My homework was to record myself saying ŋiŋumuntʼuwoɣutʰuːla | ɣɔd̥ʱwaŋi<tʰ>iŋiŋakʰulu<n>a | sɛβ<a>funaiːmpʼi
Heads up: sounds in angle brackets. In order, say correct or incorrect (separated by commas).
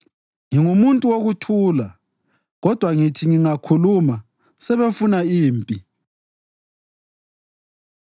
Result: correct, incorrect, incorrect